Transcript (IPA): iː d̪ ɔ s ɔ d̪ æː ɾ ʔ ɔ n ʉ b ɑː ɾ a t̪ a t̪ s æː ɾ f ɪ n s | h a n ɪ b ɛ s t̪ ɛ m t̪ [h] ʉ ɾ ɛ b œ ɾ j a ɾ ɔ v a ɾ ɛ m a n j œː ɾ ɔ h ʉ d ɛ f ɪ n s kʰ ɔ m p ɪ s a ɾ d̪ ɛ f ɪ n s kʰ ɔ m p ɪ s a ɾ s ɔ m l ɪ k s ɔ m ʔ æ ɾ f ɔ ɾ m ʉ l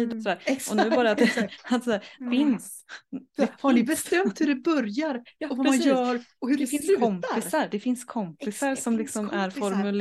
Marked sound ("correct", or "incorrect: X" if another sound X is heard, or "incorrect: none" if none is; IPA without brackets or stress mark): correct